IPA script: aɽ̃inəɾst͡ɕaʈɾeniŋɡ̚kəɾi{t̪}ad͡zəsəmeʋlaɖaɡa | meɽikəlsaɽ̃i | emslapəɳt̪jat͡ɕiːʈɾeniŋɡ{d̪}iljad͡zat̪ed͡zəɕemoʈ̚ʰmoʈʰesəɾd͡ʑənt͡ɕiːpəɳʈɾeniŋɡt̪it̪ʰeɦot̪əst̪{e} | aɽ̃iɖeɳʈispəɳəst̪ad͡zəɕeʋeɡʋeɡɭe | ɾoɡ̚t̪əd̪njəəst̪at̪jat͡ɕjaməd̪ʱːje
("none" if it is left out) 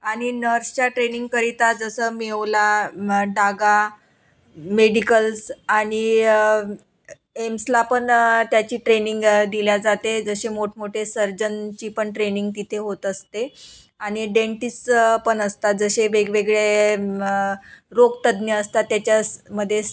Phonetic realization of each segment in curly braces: t̪, d̪, e

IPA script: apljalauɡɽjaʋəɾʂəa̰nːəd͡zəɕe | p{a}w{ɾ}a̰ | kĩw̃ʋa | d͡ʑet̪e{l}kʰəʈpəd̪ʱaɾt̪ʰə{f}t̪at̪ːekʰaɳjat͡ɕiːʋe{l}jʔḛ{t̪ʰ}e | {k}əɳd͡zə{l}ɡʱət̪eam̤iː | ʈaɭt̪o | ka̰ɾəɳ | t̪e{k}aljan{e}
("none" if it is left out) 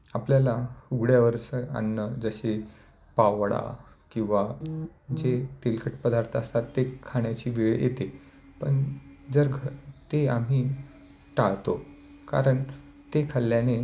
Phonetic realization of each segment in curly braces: a, ɽ, l, s, ɭ, t̪, p, ɾ, kʰ, e

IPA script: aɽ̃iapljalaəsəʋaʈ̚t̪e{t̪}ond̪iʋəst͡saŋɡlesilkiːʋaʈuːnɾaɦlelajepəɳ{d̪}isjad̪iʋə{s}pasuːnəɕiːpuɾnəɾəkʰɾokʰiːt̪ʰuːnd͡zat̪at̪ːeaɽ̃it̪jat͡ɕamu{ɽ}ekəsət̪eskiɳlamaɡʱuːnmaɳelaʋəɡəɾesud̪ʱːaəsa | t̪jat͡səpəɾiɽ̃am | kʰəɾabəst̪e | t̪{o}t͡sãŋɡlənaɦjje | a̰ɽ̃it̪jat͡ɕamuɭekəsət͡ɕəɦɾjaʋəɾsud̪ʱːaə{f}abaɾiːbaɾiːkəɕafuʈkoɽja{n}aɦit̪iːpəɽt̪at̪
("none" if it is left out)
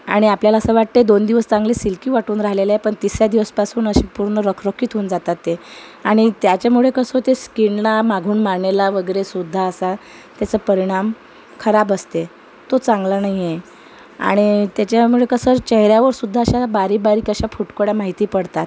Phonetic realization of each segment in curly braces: d̪, t̪, s, ɭ, o, ɕ, m

